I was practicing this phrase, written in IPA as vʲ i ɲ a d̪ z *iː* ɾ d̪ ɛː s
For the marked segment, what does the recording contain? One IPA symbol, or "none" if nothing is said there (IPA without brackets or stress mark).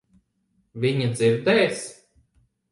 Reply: i